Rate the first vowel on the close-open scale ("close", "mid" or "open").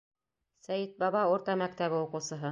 open